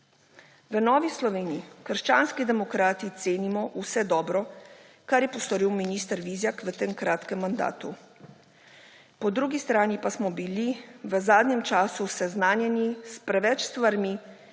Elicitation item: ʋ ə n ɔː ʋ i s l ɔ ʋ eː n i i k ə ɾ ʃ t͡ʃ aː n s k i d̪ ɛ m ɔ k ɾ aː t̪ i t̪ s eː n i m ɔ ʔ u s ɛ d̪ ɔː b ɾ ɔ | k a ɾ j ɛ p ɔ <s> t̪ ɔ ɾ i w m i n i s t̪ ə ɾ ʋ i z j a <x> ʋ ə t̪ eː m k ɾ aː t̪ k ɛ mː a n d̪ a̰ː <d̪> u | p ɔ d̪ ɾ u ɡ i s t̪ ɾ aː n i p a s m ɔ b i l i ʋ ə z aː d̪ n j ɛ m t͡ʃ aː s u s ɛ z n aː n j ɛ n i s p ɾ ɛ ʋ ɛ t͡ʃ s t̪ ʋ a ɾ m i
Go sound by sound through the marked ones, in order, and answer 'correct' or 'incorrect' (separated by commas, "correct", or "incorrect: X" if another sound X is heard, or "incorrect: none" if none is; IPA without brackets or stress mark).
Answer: correct, incorrect: k, incorrect: t̪